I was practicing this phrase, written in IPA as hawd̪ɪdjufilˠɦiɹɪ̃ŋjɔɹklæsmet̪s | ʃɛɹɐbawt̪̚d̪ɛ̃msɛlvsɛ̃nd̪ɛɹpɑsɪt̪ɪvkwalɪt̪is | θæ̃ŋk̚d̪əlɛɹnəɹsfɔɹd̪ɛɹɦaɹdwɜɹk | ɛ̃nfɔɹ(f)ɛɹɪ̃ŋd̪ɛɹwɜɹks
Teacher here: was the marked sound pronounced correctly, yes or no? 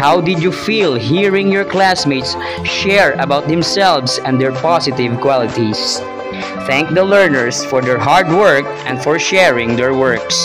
no